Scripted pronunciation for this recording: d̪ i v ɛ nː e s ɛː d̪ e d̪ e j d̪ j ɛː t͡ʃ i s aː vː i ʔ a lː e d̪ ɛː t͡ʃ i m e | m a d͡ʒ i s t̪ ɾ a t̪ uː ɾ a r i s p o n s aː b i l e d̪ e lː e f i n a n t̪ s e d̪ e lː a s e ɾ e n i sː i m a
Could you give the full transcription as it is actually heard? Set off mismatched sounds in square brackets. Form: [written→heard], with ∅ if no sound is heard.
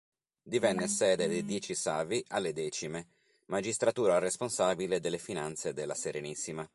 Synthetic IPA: d̪ i v ɛ nː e s ɛː d̪ e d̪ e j d̪ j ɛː t͡ʃ i s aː [vː→v] i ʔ a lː e d̪ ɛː t͡ʃ i m e | m a d͡ʒ i s t̪ ɾ a t̪ uː ɾ a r [i→e] s p o n s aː b i l e d̪ e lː e f i n a n t̪ s e d̪ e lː a s e ɾ e n i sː i m a

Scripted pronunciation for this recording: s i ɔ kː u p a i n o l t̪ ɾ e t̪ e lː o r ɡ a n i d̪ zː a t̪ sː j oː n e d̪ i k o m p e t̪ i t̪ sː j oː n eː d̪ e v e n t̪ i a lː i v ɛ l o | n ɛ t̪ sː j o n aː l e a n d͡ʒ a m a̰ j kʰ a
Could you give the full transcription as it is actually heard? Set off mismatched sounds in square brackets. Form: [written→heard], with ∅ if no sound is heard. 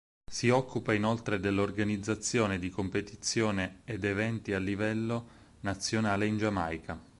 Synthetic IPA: s i ɔ kː u p a i n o l t̪ ɾ e [t̪→d̪] e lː o r ɡ a n i d̪ zː a t̪ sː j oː n e d̪ i k o m p e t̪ i t̪ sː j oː n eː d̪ e v [e→ɛ] n t̪ i a lː i v ɛ [l→lː] o | n [ɛ→a] t̪ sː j o n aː l e [a→i] n d͡ʒ a m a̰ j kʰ a

